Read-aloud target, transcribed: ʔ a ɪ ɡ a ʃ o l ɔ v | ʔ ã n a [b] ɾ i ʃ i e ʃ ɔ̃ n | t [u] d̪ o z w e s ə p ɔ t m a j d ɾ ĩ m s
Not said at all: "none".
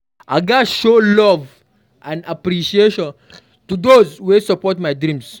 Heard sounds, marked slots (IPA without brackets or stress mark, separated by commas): p, u